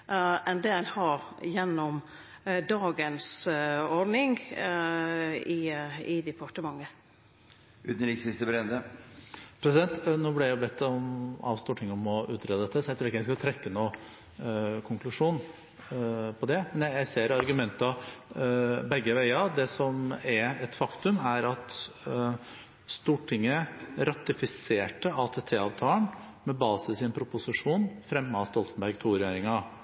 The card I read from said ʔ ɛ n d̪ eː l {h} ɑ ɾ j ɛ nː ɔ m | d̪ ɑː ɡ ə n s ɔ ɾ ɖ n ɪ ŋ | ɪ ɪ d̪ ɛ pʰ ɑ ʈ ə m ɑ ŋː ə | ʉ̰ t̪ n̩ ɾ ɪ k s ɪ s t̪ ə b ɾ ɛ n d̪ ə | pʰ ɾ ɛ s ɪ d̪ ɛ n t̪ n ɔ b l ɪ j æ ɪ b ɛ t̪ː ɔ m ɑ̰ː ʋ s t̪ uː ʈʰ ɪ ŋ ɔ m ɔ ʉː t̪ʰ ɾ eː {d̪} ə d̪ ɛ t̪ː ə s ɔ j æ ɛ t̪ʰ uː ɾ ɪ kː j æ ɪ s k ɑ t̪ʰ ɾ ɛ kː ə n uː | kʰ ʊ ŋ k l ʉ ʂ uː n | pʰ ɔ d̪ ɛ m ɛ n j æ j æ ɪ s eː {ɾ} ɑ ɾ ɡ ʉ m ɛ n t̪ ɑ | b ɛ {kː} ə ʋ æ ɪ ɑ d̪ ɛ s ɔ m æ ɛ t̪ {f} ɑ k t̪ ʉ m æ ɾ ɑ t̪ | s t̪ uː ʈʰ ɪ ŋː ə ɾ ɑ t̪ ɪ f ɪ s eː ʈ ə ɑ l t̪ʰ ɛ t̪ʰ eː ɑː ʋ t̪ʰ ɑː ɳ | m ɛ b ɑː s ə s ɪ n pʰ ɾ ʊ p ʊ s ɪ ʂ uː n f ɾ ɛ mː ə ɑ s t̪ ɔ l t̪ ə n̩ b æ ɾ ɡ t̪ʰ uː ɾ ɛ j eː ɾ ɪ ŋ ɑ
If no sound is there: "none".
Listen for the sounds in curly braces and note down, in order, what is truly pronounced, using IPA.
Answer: h, d̪, ɾ, ɡː, f

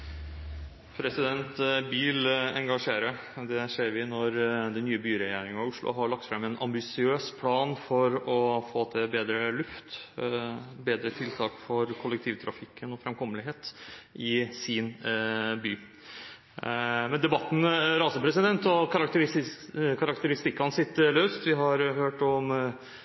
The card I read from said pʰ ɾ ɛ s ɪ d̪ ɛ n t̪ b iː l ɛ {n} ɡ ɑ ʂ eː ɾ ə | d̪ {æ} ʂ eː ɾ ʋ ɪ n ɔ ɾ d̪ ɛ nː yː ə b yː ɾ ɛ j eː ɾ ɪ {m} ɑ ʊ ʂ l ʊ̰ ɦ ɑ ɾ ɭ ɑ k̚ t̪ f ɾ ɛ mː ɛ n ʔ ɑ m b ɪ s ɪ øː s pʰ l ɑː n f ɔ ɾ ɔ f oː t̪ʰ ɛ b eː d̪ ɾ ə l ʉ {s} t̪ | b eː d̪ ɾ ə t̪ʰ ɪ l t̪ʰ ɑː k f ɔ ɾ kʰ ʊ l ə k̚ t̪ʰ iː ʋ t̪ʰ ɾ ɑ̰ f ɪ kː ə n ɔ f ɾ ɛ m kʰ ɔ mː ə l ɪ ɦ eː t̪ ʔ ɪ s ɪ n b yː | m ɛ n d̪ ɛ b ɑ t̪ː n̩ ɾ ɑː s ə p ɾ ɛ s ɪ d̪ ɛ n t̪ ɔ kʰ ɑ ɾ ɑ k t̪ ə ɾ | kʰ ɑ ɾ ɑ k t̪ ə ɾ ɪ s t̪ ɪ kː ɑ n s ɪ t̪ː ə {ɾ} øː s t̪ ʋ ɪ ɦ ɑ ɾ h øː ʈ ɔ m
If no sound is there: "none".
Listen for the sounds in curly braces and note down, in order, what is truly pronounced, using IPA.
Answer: ŋ, ɛ, ŋ, f, l

